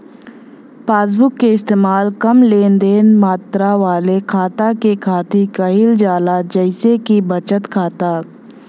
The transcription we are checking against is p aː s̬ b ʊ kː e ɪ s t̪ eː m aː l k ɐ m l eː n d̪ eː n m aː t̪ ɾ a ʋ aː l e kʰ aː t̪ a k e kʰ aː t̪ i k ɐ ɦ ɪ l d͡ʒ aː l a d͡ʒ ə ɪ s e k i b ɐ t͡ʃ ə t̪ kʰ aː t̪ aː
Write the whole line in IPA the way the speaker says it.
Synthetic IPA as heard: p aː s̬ b ʊ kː e ɪ s t̪ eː m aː l k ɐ m l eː n d̪ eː n m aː t̪ ɾ a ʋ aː l e kʰ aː t̪ a k e kʰ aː t̪ i k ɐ ɦ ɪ l d͡ʒ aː l a d͡ʒ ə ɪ s e k i b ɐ t͡ʃ ə t̪ kʰ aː t̪ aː